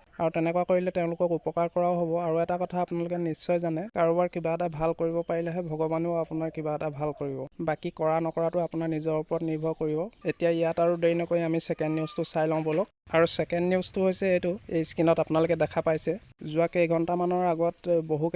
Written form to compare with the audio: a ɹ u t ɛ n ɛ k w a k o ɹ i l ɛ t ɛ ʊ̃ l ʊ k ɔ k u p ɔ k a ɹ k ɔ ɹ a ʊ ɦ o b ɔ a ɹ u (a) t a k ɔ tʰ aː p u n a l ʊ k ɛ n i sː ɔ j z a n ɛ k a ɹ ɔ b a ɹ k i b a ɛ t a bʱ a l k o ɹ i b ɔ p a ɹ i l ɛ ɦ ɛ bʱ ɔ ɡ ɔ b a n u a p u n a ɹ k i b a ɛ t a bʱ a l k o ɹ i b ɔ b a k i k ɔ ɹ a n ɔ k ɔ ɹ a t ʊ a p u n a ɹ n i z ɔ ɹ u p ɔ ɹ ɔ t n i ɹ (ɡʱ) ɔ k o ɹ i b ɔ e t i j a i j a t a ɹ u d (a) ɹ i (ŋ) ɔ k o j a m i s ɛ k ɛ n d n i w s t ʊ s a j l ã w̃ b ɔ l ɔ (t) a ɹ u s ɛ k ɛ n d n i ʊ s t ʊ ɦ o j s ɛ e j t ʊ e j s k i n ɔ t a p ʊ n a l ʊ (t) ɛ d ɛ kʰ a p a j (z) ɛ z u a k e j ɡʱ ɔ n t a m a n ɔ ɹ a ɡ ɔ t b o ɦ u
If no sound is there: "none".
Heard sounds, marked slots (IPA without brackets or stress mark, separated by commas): ɛ, bʱ, e, n, k, k, s